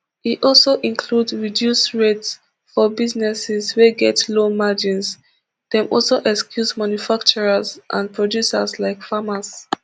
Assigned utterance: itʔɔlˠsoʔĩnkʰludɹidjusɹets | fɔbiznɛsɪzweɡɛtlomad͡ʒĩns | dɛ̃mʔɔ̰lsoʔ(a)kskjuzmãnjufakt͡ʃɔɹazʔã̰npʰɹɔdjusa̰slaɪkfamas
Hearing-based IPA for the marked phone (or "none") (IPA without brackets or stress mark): ɛ